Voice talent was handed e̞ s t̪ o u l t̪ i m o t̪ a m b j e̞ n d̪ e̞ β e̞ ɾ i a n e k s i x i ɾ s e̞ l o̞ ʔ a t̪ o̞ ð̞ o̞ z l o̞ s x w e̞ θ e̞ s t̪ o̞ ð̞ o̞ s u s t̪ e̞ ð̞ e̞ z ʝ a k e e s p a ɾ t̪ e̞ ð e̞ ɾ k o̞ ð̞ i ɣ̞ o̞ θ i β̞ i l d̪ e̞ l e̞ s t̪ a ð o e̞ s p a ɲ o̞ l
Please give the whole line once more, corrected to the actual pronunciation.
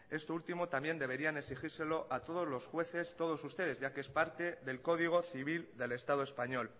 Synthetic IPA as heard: e̞ s t̪ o u l t̪ i m o t̪ a m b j e̞ n d̪ e̞ β e̞ ɾ i a n e k s i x i ɾ s e̞ l o̞ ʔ a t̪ o̞ ð̞ o̞ z l o̞ s x w e̞ θ e̞ s t̪ o̞ ð̞ o̞ s u s t̪ e̞ ð̞ e̞ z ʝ a k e e s p a ɾ t̪ e̞ ð e̞ l k o̞ ð̞ i ɣ̞ o̞ θ i β̞ i l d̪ e̞ l e̞ s t̪ a ð o e̞ s p a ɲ o̞ l